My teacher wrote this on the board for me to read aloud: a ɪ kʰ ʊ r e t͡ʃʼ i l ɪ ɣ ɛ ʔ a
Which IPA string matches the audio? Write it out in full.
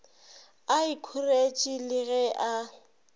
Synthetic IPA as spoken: a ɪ kʰ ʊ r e t͡ʃʼ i l ɪ ɣ ɛ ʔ a